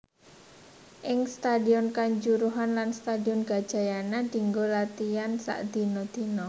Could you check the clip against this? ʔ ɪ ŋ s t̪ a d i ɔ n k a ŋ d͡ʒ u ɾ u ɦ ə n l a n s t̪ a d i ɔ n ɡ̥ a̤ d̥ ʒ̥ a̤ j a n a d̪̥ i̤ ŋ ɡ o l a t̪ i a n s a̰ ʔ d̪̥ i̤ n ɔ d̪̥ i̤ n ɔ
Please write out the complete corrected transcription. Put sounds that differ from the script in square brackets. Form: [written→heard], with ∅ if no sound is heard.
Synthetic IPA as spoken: ʔ ɪ ŋ s t̪ a d i ɔ n k a [ŋ→ɲ] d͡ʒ u ɾ u ɦ [ə→a] n l a n s t̪ a d i ɔ n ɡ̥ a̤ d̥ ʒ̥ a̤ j a n a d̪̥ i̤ ŋ ɡ o l a t̪ i a n s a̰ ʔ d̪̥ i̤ n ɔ d̪̥ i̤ n ɔ

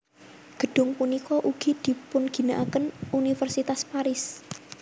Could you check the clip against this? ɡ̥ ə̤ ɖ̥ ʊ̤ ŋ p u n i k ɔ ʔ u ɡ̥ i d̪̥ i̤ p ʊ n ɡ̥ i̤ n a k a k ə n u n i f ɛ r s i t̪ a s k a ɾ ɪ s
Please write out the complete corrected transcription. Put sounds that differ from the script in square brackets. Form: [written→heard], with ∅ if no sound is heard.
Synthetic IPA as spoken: ɡ̥ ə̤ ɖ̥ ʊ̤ ŋ p u n i k ɔ ʔ u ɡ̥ i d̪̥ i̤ p ʊ n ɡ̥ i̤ n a [k→ʔ] a k ə n u n i f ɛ r s i t̪ a s [k→p] a ɾ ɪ s

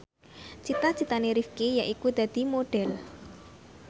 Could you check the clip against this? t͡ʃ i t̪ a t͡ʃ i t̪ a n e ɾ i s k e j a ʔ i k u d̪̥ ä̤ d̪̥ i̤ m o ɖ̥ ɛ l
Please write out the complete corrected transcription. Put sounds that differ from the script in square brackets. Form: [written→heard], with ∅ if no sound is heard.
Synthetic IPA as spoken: t͡ʃ i t̪ a t͡ʃ i t̪ a n e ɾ i [s→f] k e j a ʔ i k u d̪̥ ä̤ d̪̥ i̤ m o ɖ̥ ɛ l

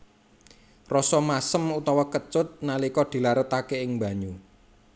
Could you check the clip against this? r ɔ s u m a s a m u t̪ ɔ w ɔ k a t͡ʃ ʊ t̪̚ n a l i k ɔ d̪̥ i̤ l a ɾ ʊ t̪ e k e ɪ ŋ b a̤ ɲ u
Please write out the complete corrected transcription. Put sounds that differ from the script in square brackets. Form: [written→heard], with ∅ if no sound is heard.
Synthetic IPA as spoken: r ɔ s [u→ɔ] m a s [a→ə] m u t̪ ɔ w ɔ k [a→ə] t͡ʃ ʊ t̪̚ n a l i k ɔ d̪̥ i̤ l a ɾ ʊ t̪ [e→a] k e ɪ ŋ b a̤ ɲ u

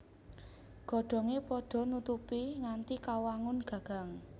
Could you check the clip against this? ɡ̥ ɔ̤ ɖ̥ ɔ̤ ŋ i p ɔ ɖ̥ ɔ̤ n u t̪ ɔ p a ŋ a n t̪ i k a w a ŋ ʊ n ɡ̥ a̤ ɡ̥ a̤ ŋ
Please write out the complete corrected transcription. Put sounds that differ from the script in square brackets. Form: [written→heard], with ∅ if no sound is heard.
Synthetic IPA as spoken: ɡ̥ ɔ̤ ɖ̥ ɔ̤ ŋ [i→e] p ɔ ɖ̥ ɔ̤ n u t̪ [ɔ→u] p [a→i] ŋ a n t̪ i k a w a ŋ ʊ n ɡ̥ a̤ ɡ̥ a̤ ŋ

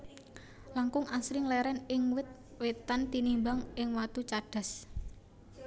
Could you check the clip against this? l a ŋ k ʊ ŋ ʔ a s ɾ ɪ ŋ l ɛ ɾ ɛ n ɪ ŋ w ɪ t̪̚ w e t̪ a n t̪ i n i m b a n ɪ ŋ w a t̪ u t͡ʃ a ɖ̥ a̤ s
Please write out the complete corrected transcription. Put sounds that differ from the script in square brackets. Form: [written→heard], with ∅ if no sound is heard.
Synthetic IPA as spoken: l a ŋ k ʊ ŋ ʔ a s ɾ ɪ ŋ l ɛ ɾ ɛ n ɪ ŋ w ɪ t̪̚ w e t̪ a n t̪ i n i m b a [n→ŋ] ɪ ŋ w a t̪ u t͡ʃ a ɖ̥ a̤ s

